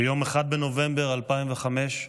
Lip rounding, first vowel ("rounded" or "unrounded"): rounded